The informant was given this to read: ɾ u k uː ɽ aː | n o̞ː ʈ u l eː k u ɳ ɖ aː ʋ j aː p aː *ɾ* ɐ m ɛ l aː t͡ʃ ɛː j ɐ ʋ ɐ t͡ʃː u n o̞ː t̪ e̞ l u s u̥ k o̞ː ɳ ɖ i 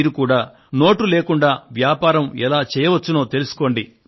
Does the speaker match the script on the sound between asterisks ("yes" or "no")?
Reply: yes